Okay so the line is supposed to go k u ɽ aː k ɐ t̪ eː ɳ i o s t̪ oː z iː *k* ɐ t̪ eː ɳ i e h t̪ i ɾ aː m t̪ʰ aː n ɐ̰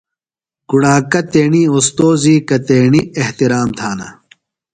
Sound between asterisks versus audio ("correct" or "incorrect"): correct